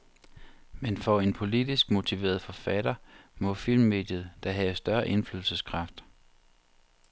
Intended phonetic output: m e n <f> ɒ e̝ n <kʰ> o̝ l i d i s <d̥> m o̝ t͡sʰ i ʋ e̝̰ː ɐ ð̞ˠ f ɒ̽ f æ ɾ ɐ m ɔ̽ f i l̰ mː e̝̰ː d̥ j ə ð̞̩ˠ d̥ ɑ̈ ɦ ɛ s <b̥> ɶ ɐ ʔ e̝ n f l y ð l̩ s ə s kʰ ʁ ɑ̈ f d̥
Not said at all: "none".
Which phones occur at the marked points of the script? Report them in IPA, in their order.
f, pʰ, ɡ̥, d̥

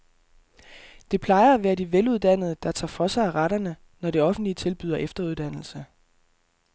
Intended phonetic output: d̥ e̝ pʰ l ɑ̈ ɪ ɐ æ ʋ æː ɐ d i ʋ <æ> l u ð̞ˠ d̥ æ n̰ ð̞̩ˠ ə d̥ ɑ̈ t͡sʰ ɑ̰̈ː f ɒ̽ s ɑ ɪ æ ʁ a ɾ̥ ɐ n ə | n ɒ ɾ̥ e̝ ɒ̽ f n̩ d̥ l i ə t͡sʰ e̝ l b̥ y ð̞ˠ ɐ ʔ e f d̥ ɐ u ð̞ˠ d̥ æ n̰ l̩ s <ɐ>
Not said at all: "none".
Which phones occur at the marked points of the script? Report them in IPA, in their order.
e, ə

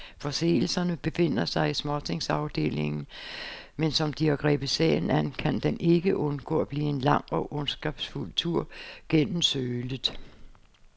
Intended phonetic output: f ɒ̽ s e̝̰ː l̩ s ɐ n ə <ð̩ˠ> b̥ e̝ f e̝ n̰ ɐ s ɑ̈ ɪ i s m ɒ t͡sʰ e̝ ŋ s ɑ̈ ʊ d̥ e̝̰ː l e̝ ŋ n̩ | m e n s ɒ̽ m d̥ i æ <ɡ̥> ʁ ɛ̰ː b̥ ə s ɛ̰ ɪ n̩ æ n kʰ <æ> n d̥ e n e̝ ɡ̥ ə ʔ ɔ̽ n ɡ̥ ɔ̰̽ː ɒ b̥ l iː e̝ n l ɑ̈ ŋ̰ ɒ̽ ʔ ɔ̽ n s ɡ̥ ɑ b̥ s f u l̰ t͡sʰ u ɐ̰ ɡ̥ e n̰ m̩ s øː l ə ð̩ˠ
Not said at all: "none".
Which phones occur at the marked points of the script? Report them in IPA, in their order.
none, ɡ̥, æ

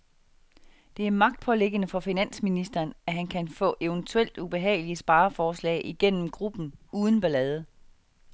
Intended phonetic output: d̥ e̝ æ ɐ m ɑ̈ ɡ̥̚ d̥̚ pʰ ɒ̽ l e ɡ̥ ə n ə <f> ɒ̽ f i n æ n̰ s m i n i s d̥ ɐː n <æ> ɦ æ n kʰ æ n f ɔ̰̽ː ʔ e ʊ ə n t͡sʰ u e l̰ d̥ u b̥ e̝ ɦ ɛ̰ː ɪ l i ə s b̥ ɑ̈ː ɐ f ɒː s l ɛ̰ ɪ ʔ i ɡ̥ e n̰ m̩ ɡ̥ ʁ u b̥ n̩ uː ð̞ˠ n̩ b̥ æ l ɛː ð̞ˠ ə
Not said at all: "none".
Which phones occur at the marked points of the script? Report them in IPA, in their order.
f, æ

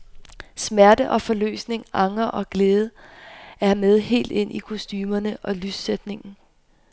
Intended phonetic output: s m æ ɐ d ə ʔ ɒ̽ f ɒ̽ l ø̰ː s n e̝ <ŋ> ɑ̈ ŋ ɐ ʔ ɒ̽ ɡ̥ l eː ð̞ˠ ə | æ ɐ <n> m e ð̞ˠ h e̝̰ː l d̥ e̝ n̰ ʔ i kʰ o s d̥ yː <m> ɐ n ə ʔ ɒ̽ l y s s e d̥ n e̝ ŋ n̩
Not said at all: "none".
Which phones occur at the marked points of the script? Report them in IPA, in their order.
ŋ, none, m

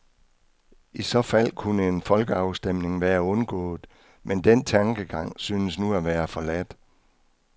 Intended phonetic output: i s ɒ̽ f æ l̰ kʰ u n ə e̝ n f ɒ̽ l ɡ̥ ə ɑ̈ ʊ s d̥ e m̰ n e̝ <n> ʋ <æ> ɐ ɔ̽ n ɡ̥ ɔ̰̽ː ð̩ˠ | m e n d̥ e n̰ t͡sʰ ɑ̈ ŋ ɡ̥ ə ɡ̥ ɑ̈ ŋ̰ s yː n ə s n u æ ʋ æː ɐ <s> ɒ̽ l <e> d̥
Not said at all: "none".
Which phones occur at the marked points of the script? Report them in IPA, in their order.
ŋ, æː, f, æ

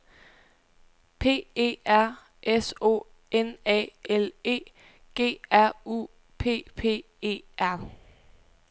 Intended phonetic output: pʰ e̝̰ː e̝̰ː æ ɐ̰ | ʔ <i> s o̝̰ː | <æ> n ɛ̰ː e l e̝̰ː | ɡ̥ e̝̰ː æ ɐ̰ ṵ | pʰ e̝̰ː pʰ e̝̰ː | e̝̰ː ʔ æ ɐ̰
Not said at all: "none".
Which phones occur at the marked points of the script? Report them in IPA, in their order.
e, e

